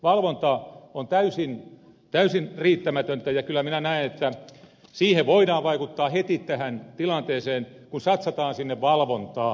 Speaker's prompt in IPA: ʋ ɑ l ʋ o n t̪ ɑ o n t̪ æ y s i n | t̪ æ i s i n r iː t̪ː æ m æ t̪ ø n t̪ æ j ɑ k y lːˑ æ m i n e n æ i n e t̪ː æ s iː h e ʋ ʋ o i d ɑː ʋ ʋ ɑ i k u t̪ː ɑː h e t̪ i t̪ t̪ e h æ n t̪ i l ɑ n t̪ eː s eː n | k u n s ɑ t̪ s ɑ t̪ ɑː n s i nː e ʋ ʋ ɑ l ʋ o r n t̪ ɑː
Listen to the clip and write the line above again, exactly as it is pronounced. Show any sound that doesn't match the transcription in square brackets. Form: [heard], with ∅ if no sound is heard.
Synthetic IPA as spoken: ʋ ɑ l ʋ o n t̪ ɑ o n t̪ æ y s i n | t̪ æ [y] s i n r iː t̪ː æ m æ t̪ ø n t̪ æ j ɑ k y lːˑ æ m i n [æ] n æ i n e t̪ː æ s iː h e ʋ ʋ o i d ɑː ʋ ʋ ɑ i k u t̪ː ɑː h e t̪ i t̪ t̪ [æ] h æ n t̪ i l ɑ n t̪ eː s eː n | k u n s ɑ t̪ s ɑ t̪ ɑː n s i nː e ʋ ʋ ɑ l ʋ o [∅] n t̪ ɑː